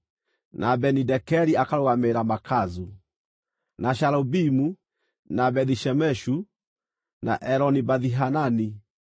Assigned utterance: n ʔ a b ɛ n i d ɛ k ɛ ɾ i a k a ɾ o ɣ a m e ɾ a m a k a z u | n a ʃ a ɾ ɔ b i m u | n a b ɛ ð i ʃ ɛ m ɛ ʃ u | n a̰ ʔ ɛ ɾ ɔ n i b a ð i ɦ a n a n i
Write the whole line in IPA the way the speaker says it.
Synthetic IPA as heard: n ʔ a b ɛ n i d ɛ k ɛ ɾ i a k a ɾ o ɣ a m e ɾ a m a k a z u | n a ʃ a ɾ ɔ b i m u | n a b ɛ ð i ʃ ɛ m ɛ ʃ u | n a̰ ʔ ɛ ɾ ɔ n i b a ð i ɦ a n a n i